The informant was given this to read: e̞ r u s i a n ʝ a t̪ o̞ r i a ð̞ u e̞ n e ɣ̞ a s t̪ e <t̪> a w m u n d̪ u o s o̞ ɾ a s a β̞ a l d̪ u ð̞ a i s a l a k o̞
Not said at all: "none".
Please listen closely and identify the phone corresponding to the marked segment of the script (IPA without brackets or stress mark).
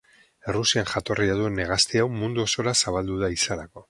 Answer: none